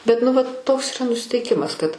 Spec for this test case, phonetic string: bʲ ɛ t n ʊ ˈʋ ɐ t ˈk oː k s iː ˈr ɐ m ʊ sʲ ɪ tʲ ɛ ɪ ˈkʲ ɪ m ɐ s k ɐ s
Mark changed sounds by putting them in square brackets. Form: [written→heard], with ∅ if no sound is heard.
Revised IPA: bʲ ɛ t n ʊ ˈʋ ɐ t [ˈk→ˈt] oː k s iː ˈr ɐ [m→n] ʊ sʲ ɪ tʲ ɛ ɪ ˈkʲ ɪ m ɐ s k ɐ [s→t]